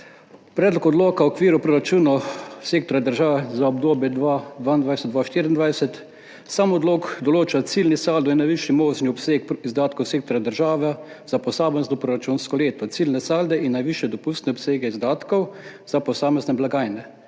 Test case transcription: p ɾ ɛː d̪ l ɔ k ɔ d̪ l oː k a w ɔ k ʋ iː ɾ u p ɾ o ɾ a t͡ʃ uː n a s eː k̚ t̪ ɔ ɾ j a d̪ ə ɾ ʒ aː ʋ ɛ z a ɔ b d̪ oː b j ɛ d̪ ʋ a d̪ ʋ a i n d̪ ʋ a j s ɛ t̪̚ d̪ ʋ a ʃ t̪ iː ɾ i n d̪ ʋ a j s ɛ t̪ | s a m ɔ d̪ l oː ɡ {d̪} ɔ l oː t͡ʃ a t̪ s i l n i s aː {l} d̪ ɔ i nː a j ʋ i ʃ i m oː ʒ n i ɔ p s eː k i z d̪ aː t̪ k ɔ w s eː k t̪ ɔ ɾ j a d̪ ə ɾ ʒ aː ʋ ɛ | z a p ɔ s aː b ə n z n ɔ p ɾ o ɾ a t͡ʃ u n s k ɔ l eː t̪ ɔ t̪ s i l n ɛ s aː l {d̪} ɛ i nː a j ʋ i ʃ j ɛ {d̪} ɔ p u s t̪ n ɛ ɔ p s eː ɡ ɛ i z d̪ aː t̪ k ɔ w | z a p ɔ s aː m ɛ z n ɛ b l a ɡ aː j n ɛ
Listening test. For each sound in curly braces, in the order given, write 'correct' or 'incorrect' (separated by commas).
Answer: correct, correct, correct, correct